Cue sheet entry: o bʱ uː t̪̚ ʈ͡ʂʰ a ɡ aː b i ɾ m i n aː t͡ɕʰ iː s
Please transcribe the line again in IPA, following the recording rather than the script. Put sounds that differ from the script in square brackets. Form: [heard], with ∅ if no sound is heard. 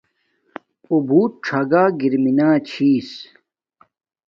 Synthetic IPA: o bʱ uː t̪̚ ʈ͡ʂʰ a ɡ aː [ɡ] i ɾ m i n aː t͡ɕʰ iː s